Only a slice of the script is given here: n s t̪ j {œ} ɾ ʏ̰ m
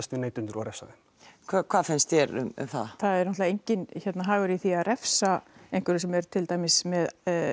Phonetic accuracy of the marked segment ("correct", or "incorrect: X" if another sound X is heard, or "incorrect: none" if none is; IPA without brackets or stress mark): incorrect: ɛ